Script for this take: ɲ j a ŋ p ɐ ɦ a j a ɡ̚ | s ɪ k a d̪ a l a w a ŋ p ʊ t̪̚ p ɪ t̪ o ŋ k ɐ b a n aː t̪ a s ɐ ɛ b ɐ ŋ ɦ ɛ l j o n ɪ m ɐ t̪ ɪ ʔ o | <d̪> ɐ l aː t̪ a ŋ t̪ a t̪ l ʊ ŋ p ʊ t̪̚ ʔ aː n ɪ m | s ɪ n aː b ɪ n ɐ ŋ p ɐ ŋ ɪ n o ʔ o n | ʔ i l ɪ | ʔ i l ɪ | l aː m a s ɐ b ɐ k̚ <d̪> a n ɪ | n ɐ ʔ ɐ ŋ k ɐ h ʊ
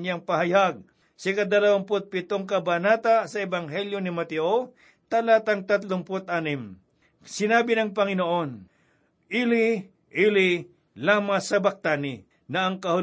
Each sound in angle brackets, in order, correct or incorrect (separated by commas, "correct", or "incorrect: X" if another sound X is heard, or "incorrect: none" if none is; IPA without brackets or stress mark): incorrect: t̪, incorrect: t̪